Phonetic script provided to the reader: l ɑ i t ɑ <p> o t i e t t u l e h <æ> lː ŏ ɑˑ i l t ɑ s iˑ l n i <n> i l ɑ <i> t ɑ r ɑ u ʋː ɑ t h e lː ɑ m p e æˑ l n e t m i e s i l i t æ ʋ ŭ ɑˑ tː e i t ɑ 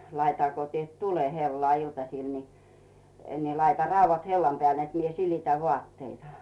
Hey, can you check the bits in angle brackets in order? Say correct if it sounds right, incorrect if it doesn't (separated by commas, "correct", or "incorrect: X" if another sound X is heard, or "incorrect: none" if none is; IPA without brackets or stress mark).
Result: incorrect: k, incorrect: e, correct, correct